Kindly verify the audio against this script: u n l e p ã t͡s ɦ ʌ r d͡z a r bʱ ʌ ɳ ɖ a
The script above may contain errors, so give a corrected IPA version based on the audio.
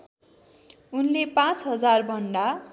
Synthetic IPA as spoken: u n l e p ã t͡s ɦ ʌ d͡z a r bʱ ʌ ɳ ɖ a